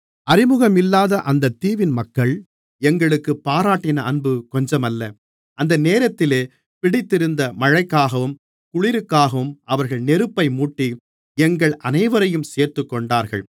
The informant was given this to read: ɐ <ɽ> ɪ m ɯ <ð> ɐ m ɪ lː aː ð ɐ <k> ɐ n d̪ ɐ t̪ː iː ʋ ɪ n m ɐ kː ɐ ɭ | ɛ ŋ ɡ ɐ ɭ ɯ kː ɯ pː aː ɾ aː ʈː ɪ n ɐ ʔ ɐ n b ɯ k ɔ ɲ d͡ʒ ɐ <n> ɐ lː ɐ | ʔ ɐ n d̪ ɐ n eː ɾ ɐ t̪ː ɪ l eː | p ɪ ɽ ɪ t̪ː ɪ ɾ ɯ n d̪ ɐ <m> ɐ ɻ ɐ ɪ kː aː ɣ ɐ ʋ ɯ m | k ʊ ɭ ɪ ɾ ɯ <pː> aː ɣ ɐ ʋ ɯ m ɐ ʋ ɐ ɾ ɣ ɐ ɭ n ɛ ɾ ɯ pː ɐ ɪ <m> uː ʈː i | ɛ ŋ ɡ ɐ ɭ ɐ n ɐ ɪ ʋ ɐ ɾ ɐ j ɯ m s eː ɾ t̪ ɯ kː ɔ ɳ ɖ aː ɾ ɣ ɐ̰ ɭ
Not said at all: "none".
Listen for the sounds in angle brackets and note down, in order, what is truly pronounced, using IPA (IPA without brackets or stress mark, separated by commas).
ɾ, ɣ, ʔ, m, m, kː, m